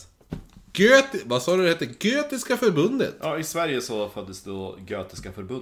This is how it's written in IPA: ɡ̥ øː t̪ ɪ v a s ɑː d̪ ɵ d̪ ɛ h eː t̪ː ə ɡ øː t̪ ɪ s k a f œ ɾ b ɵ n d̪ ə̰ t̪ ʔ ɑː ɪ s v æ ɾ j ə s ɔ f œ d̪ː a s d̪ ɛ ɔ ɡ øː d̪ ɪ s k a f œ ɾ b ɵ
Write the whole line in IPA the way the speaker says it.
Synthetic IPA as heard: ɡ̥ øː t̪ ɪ v a s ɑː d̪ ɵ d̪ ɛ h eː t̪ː ə ɡ øː t̪ ɪ s k a f œ ɾ b ɵ n d̪ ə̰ t̪ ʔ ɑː ɪ s v æ ɾ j ə s ɔ f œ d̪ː ə s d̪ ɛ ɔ ɡ øː t̪ ɪ s k a f œ ɾ b ɵ